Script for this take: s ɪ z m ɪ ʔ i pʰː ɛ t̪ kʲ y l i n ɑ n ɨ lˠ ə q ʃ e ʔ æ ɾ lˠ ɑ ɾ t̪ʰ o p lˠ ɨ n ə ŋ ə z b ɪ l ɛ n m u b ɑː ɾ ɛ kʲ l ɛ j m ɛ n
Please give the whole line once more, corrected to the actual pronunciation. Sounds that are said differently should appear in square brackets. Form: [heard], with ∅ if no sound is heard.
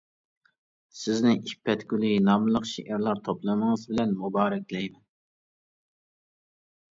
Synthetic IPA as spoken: s ɪ z [n] ɪ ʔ i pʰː ɛ t̪ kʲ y l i n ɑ [m] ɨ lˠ ə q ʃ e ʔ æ ɾ lˠ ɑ ɾ t̪ʰ o p lˠ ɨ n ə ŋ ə z b ɪ l ɛ n m u b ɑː ɾ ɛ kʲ l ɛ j m ɛ n